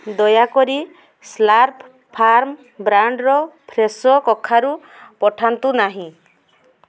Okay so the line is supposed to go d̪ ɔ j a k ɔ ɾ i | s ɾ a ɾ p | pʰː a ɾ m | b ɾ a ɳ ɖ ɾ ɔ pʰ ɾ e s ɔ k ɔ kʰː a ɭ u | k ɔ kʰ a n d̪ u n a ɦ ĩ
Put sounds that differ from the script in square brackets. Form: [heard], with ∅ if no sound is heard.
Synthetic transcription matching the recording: d̪ ɔ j a k ɔ ɾ i | s [l] a ɾ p | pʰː a ɾ m | b ɾ a ɳ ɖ ɾ ɔ pʰ ɾ e s ɔ k ɔ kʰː a [ɾ] u | [p] ɔ [ʈʰ] a n [t̪] u n a ɦ ĩ